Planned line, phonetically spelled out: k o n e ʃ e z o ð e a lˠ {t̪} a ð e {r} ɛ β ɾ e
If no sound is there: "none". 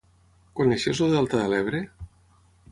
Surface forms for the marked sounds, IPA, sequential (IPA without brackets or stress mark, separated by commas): t̪, l